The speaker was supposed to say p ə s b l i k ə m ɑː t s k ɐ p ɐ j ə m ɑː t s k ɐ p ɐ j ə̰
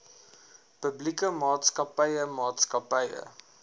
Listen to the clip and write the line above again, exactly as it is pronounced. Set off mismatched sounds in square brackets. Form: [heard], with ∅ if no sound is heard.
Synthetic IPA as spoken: p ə [∅] b l i k ə m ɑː t s k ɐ p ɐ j ə m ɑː t s k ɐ p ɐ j ə̰